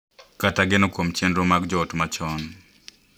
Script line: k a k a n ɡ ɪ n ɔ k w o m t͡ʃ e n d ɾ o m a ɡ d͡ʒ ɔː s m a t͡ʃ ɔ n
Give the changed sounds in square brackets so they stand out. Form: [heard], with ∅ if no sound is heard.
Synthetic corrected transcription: k a [t] a [∅] ɡ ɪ n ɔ k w o m t͡ʃ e n d ɾ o m a ɡ d͡ʒ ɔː [t] m a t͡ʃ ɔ n